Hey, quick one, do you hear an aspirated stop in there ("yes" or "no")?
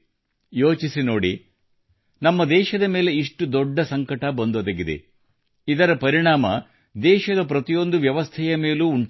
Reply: yes